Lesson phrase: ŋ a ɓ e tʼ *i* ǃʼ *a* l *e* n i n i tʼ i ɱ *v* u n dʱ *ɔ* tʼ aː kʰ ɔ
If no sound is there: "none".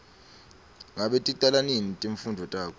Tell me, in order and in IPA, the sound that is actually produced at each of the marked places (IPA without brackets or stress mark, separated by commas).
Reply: i, a, a, f, ɔ